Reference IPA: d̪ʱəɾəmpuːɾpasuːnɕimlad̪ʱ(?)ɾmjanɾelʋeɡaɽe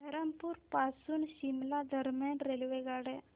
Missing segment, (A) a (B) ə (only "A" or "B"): B